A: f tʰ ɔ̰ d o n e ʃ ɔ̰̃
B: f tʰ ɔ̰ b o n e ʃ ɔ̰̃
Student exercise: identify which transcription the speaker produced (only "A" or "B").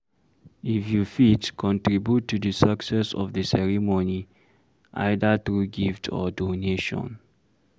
A